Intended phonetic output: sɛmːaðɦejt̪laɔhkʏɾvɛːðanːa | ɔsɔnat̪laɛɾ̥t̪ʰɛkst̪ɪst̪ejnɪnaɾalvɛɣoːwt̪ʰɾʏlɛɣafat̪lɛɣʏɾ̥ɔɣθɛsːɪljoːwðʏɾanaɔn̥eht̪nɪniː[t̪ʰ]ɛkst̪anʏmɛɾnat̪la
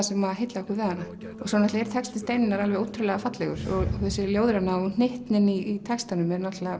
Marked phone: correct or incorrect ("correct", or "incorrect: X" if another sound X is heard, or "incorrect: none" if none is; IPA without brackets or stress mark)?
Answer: correct